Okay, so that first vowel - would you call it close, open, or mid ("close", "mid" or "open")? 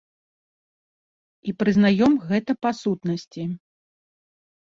close